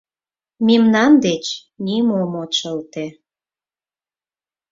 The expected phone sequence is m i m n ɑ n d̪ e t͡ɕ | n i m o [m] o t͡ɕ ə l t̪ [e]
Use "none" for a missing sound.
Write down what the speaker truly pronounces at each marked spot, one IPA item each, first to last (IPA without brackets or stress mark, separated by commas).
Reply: m, e